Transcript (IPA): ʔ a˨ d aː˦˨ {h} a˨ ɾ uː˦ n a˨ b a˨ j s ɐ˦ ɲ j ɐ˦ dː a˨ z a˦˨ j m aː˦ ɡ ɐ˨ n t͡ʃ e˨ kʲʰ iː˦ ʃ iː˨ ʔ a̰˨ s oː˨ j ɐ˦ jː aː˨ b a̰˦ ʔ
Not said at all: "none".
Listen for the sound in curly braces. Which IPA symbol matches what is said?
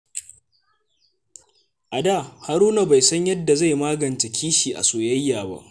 h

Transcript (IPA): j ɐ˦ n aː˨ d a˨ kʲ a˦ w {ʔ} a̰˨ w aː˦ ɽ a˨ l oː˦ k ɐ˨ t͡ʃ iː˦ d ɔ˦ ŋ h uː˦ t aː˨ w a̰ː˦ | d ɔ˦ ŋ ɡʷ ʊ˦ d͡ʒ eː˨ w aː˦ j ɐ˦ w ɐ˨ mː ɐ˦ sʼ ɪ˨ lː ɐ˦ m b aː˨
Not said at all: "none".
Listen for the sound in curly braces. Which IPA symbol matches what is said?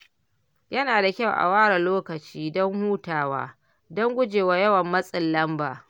ʔ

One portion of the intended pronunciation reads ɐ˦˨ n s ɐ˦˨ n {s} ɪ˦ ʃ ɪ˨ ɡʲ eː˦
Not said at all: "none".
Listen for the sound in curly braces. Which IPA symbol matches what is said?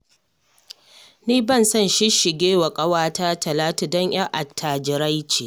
ʃ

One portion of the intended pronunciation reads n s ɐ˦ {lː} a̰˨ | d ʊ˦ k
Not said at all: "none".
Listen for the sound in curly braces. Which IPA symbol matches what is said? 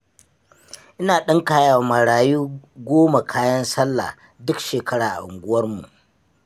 lː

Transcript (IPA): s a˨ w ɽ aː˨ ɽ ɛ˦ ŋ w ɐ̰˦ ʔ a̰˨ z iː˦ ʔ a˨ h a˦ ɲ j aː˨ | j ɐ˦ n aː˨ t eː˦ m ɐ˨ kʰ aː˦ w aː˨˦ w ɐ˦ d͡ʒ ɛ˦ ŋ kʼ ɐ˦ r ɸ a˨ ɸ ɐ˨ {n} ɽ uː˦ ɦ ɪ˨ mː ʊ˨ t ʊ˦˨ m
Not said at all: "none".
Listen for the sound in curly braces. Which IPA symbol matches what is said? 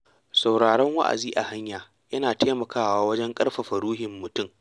none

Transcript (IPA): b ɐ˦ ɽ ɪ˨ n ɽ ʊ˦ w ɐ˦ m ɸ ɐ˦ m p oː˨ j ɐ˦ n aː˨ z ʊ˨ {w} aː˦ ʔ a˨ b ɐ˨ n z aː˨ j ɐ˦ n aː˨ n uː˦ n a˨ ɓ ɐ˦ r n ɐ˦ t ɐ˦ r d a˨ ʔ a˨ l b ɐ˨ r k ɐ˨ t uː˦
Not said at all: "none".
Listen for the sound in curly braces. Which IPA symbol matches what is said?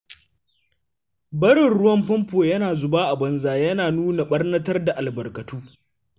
b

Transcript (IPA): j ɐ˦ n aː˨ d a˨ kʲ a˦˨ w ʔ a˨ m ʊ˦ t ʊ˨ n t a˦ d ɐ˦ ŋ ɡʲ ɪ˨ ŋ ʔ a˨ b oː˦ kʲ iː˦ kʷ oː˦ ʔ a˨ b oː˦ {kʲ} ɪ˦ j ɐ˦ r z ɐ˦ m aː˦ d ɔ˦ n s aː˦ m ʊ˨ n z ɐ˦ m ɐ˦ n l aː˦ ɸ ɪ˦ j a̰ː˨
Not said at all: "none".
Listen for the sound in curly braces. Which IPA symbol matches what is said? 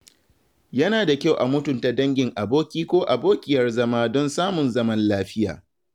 kʲ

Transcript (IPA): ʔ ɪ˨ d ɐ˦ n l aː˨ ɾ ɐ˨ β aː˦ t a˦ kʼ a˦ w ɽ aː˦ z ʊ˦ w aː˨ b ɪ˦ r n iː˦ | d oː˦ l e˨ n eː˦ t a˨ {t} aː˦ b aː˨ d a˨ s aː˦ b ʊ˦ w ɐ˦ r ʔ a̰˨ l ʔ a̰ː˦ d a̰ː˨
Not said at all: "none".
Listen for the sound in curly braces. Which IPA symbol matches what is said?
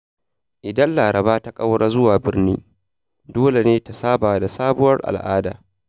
s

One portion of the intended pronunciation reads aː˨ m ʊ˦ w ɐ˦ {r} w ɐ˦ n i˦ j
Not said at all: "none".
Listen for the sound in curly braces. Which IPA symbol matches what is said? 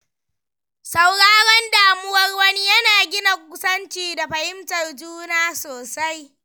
r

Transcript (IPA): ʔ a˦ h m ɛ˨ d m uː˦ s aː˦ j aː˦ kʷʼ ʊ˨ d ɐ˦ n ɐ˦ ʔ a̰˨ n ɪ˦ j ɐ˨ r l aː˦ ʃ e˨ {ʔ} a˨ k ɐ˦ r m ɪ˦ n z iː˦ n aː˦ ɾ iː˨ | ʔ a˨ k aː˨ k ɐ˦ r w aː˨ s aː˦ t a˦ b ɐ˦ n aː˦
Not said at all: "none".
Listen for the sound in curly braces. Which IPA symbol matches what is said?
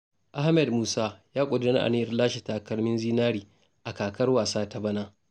t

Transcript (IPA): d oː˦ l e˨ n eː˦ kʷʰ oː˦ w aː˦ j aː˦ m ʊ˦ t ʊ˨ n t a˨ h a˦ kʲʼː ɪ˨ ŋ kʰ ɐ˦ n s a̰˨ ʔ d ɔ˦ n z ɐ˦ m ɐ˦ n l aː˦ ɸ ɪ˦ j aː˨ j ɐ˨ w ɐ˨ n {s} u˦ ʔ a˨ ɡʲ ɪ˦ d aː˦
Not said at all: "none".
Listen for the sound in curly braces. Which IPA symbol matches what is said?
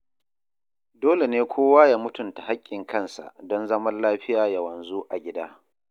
z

